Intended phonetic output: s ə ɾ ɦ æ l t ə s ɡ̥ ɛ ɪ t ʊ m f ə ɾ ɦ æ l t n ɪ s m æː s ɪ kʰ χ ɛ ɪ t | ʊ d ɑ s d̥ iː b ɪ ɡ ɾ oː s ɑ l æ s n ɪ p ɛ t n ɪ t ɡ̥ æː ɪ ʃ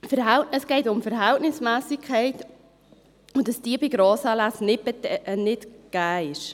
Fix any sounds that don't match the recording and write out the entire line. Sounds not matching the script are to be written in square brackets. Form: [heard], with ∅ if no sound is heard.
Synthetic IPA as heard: [f] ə ɾ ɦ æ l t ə s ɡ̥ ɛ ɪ t ʊ m f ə ɾ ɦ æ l t n ɪ s m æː s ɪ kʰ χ ɛ ɪ t | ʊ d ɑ s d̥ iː b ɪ ɡ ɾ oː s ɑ l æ s n ɪ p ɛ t n ɪ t ɡ̥ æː ɪ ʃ